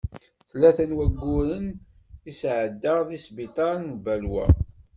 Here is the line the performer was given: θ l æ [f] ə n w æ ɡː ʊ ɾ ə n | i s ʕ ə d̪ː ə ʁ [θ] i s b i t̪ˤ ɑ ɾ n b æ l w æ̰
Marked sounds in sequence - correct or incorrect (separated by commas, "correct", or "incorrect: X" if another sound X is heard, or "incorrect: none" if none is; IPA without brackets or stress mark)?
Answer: incorrect: θ, incorrect: ð